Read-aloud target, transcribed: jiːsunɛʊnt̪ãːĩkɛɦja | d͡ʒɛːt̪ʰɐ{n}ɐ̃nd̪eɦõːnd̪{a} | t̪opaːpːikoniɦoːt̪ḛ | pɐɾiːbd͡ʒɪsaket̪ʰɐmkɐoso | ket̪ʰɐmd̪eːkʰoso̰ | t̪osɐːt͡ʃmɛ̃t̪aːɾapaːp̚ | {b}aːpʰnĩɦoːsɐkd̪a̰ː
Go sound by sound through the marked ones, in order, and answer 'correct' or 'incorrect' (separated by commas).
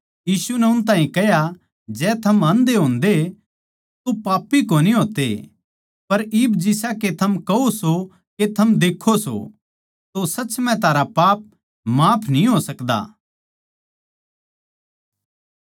incorrect, incorrect, incorrect